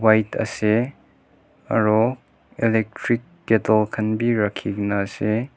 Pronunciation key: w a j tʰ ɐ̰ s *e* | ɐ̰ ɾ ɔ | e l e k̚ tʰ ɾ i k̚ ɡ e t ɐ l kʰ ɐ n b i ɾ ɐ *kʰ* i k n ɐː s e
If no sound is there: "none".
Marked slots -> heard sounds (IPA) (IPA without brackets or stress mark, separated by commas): e, kʰ